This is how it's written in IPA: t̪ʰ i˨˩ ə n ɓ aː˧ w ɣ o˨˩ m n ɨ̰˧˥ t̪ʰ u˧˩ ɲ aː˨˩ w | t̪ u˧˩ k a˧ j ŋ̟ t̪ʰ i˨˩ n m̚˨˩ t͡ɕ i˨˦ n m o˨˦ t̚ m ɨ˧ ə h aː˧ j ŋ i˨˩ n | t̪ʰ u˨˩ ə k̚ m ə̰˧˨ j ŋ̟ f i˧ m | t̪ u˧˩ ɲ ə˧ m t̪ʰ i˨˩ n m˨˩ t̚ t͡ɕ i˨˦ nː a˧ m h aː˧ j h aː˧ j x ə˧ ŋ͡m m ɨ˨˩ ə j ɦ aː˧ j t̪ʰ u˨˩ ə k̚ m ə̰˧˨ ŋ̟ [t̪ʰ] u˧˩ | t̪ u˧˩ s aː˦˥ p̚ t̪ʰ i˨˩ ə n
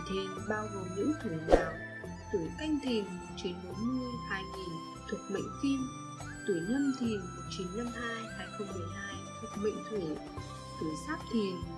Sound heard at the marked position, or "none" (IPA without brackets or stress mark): t̪ʰ